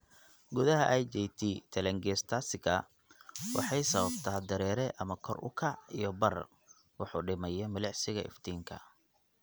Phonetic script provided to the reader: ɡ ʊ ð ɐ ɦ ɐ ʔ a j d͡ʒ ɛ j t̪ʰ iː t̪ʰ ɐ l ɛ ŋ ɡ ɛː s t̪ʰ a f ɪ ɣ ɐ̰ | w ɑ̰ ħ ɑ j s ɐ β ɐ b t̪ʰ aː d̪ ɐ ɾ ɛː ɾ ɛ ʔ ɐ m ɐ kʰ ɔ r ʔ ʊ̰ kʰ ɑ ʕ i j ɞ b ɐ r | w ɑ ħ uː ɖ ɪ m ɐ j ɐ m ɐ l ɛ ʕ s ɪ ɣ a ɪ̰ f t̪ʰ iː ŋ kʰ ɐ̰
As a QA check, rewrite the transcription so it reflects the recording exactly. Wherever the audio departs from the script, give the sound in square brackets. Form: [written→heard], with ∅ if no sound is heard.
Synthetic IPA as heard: ɡ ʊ ð ɐ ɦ ɐ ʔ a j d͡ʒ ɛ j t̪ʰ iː t̪ʰ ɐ l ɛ ŋ ɡ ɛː s t̪ʰ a [f→s] ɪ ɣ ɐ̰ | w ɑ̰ ħ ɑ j s ɐ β ɐ b t̪ʰ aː d̪ ɐ ɾ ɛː ɾ ɛ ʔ ɐ m ɐ kʰ ɔ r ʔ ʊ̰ kʰ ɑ ʕ i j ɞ b ɐ r | w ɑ ħ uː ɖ ɪ m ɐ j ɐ m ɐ l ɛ ʕ s ɪ ɣ [a→ɐ] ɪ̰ f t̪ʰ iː ŋ kʰ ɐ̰